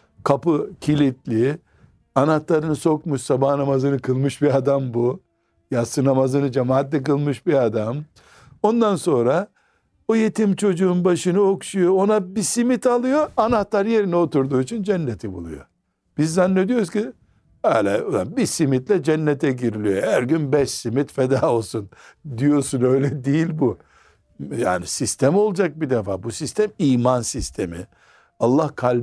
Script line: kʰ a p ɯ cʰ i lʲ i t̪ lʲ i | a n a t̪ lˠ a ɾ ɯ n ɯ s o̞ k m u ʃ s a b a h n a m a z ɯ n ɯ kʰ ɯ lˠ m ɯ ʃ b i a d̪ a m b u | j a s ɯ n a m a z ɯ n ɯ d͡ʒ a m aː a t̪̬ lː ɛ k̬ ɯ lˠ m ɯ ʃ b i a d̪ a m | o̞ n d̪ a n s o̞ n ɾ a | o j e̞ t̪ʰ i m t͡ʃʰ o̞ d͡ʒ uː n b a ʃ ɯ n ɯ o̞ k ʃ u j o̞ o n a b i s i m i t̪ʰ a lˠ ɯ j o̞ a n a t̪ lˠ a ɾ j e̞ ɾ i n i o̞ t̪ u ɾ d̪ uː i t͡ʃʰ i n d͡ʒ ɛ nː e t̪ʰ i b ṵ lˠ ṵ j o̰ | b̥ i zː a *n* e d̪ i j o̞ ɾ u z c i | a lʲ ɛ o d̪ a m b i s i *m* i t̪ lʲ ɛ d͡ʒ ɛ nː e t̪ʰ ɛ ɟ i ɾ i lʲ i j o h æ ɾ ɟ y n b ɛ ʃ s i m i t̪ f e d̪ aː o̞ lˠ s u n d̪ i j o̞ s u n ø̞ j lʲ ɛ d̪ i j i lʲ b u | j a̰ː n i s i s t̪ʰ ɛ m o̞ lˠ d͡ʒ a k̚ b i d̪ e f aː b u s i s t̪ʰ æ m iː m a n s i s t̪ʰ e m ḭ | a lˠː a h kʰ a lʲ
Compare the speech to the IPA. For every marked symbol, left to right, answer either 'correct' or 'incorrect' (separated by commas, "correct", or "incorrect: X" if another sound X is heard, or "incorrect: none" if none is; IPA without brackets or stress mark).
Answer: incorrect: nː, correct